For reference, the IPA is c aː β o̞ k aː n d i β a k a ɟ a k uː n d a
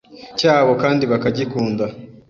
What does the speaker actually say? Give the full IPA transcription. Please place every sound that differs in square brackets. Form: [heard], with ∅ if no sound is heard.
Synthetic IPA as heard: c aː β o̞ k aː n d i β a k a ɟ [i] k uː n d a